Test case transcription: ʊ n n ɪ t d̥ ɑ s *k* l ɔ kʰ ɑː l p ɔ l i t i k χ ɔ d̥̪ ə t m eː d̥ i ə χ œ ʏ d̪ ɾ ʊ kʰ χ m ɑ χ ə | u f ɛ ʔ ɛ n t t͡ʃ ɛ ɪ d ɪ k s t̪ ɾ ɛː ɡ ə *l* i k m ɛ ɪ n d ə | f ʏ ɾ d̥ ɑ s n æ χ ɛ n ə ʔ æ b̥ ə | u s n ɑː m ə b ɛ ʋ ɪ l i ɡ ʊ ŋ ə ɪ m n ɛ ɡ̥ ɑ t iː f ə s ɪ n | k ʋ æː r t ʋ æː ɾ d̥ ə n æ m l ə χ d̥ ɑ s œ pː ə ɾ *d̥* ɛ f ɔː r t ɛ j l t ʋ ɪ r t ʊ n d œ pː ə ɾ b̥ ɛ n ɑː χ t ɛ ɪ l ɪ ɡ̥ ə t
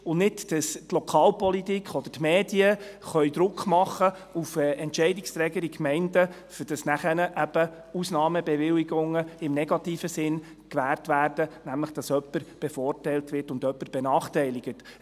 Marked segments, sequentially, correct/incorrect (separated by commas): incorrect, incorrect, incorrect